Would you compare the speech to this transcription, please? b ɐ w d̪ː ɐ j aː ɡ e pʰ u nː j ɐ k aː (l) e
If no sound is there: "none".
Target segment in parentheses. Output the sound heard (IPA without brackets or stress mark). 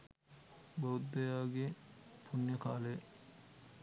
l